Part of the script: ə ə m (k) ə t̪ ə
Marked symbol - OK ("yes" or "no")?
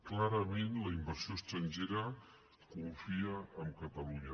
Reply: yes